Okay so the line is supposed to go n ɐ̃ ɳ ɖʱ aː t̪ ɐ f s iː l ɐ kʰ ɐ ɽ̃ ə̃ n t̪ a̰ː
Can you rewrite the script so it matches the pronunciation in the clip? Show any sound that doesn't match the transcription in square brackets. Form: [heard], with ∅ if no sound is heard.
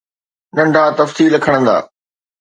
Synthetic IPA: n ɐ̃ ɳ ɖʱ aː t̪ ɐ f s iː l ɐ kʰ [ə] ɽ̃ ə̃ n [d̪] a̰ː

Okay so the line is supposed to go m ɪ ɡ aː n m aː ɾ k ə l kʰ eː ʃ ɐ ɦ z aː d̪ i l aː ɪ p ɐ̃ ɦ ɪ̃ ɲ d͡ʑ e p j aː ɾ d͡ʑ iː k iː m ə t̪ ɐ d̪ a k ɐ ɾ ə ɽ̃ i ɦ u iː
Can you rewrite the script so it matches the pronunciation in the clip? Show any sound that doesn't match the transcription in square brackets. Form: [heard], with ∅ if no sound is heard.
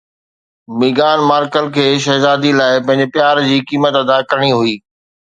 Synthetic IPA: m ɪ ɡ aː n m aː ɾ k ə l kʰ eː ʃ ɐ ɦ z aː d̪ i l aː ɪ p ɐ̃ ɦ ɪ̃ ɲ d͡ʑ e p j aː ɾ d͡ʑ iː k iː m ə t̪ ɐ d̪ a k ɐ ɾ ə ɽ̃ i ɦ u iː

